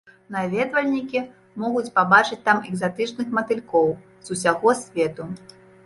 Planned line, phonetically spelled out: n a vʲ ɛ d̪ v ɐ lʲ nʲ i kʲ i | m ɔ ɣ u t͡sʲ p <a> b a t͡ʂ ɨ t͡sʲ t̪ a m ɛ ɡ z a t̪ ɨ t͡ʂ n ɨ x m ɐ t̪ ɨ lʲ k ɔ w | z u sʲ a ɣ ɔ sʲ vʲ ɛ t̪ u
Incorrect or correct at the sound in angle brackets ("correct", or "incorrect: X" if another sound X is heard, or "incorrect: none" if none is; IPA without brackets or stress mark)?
correct